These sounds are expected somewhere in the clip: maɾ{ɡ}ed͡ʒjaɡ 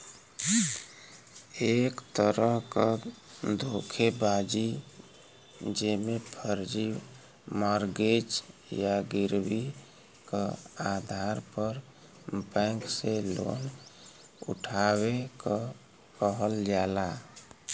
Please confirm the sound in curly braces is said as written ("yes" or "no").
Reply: yes